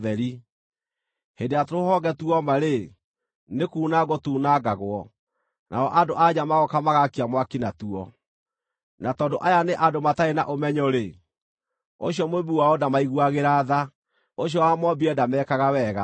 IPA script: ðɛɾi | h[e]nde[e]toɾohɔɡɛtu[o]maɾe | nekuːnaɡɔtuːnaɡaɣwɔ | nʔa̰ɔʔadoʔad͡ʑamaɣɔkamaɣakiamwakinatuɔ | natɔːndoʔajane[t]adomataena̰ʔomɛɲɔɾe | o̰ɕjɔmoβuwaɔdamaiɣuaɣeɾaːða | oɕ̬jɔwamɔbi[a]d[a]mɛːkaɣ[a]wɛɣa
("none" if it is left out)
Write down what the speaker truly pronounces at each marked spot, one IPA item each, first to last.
e, a, ɔ, ʔ, ɛ, a, a

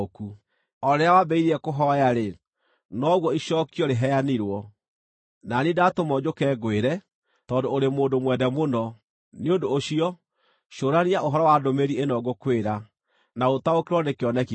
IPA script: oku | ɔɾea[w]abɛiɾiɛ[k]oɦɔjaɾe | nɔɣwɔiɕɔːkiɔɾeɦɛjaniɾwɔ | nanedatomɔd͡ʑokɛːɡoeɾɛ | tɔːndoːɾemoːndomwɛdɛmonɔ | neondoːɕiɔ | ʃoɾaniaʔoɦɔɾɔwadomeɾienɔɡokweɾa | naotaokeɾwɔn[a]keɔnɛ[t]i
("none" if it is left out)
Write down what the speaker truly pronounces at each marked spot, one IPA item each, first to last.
w, k, e, k

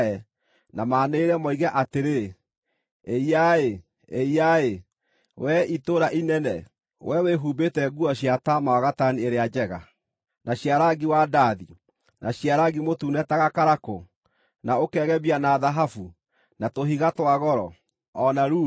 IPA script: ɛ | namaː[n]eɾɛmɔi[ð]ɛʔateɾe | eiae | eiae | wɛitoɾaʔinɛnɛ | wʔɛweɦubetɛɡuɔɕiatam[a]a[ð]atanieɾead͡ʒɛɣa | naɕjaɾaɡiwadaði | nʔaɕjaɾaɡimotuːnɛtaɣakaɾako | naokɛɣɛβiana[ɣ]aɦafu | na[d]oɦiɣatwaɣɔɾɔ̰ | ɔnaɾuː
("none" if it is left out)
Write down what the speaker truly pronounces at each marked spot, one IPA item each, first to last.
n, ɣ, a, ɣ, ð, t

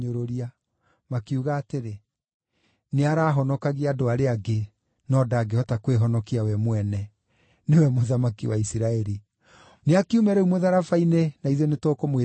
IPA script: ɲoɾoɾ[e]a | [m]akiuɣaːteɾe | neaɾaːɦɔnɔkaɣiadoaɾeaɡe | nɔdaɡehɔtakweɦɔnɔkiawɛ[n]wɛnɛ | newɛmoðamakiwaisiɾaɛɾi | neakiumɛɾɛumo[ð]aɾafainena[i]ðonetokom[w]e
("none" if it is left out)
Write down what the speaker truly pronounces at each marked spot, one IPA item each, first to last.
i, m, m, ð, i, w

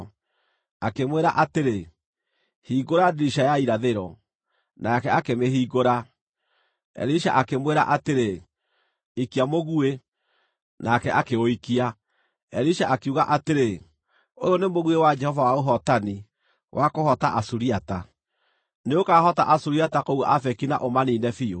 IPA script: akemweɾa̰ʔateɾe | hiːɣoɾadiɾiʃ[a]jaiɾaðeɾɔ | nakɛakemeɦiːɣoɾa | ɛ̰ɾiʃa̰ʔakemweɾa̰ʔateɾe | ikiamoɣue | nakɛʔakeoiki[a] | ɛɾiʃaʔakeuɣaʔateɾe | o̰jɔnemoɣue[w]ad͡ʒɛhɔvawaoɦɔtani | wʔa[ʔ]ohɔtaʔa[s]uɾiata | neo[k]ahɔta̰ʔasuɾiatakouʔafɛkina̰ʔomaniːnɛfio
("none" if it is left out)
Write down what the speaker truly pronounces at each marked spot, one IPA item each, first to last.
a, a, w, k, s, k

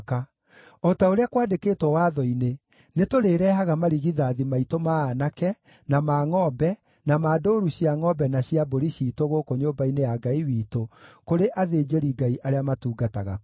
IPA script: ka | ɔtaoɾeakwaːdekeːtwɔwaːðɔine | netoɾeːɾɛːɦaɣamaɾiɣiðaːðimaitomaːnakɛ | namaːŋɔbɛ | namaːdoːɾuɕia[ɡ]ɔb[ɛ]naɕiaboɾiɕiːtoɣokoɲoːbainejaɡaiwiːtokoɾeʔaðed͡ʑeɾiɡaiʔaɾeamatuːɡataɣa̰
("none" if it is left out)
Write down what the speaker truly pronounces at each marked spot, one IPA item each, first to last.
ŋ, ɛ

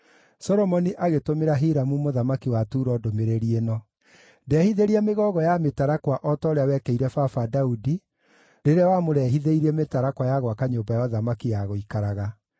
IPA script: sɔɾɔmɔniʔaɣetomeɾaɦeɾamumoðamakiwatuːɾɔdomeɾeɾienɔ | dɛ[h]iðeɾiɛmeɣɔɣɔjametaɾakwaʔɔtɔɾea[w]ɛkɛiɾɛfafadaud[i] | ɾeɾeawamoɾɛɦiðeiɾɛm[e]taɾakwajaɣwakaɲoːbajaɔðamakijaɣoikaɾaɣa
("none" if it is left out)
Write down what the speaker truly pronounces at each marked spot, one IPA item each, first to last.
h, w, i, e

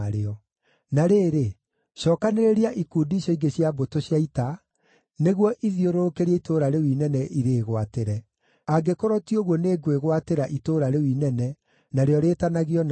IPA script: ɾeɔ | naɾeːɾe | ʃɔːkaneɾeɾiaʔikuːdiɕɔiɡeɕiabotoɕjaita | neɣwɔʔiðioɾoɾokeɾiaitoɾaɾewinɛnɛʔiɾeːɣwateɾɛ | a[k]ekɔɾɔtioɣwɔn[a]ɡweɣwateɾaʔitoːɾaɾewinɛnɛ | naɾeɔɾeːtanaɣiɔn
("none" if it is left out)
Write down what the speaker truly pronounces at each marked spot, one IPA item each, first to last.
ɡ, e

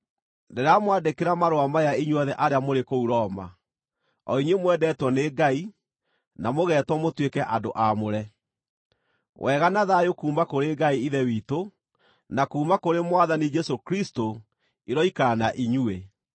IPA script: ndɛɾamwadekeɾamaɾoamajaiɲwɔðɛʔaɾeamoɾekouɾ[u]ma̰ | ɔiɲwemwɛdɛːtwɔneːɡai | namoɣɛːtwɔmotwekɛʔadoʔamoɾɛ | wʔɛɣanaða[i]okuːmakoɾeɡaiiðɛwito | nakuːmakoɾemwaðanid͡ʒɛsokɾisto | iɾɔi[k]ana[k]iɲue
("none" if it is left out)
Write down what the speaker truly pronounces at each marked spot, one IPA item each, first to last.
ɔ, j, k, ʔ

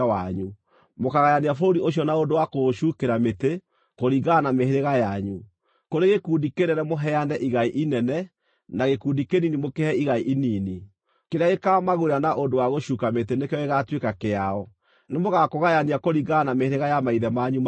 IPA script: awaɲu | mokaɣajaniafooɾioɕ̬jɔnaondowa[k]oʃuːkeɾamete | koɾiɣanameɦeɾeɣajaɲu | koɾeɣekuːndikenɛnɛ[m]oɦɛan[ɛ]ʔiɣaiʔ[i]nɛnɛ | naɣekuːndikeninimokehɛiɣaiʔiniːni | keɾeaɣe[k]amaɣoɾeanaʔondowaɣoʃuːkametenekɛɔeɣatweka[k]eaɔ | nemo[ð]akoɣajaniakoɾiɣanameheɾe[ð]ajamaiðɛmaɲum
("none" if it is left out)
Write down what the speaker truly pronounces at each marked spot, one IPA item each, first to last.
k, m, ɛ, i, k, k, ɣ, ɣ

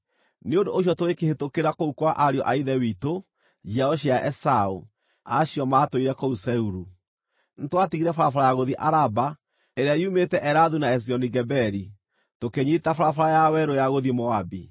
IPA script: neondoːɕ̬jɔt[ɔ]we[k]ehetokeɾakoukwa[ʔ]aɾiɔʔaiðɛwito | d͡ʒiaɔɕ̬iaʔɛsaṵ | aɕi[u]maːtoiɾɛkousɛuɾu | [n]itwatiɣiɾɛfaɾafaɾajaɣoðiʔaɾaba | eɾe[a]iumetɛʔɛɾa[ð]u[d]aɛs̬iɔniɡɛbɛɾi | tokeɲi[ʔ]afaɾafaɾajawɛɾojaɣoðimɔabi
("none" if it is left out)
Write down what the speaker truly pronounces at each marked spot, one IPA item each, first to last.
o, k, ʔ, ɔ, n, a, ð, n, t

